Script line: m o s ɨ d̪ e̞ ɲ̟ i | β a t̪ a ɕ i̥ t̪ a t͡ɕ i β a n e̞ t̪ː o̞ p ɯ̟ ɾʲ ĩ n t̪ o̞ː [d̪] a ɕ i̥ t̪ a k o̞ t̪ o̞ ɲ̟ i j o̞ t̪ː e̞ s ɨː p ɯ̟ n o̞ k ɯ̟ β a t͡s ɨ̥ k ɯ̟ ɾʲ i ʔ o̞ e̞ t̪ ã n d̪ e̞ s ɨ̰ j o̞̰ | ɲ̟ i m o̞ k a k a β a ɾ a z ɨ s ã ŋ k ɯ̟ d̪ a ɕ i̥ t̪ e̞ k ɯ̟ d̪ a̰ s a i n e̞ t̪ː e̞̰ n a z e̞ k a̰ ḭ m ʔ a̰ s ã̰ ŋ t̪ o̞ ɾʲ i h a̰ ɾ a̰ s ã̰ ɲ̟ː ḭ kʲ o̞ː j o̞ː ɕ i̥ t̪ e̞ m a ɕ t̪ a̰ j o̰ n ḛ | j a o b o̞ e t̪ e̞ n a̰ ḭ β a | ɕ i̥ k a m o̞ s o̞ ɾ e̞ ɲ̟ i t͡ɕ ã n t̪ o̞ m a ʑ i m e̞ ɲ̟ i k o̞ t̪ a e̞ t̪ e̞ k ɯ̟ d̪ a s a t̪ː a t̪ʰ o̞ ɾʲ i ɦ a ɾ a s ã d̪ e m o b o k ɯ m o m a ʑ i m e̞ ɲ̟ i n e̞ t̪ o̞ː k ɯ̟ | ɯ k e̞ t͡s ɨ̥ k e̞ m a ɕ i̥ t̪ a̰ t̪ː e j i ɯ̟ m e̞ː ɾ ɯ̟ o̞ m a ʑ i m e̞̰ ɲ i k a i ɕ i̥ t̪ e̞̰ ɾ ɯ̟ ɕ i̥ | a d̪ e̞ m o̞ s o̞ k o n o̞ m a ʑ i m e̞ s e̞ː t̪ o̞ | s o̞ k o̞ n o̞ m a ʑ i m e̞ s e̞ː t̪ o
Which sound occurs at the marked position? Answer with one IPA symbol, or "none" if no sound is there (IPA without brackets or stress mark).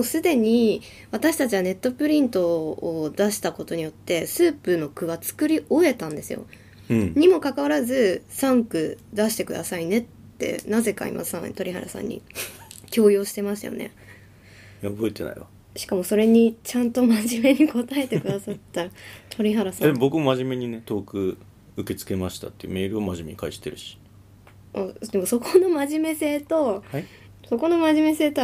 d̪